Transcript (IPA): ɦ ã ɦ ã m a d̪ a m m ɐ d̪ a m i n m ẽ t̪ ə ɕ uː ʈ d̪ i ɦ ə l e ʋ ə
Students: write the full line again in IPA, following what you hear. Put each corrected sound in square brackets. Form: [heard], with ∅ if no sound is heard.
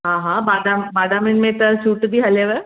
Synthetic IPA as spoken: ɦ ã ɦ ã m a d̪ a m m [a] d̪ a m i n m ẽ t̪ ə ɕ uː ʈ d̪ i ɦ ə l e ʋ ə